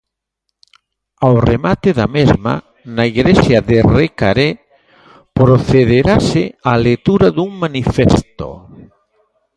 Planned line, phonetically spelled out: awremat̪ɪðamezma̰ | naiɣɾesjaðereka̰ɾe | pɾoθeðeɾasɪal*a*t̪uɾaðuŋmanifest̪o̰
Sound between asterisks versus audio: incorrect: e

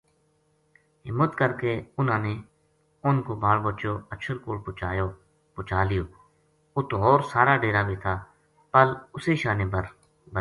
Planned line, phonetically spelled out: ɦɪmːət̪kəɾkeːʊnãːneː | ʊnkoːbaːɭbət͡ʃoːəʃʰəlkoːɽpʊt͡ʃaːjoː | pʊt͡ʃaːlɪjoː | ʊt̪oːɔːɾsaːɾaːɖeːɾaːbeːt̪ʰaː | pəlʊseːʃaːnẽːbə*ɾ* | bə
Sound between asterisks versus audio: correct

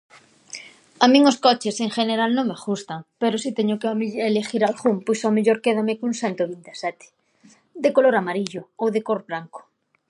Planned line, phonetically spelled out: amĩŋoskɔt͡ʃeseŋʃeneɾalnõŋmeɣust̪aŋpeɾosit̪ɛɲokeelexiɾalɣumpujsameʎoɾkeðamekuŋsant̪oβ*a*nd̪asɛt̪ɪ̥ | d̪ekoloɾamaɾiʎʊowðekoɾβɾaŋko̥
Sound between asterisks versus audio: incorrect: i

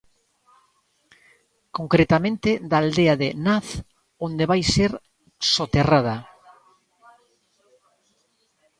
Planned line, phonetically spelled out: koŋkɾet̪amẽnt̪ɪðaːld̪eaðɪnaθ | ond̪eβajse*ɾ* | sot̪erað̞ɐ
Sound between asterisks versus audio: correct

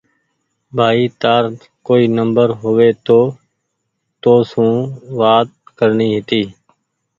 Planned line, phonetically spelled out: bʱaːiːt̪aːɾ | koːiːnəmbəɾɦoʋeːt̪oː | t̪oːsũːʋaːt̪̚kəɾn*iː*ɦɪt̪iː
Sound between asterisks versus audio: correct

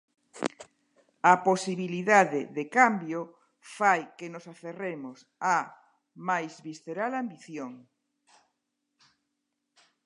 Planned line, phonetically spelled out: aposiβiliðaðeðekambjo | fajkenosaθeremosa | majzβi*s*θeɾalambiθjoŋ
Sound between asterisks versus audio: correct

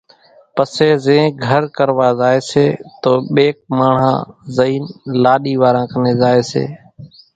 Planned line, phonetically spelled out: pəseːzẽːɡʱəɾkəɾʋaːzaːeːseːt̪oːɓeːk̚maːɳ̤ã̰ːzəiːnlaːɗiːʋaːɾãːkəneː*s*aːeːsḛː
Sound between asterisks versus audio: incorrect: z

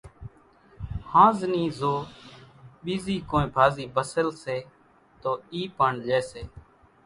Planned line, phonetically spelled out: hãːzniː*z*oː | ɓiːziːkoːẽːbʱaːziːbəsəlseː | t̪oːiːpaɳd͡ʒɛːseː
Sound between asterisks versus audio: correct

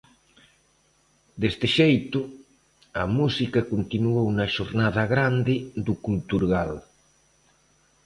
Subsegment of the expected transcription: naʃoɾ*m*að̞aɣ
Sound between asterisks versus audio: incorrect: n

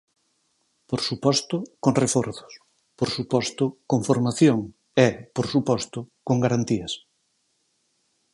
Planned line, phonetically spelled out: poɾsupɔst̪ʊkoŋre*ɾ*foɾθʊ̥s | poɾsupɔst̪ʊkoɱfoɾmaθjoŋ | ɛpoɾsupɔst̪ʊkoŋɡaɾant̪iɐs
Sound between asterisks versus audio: incorrect: none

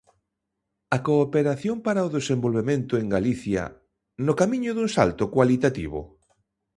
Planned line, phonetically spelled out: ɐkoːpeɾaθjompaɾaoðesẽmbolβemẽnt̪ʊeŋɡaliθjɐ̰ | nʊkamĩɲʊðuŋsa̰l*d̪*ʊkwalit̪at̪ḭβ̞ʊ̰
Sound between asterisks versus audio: incorrect: t̪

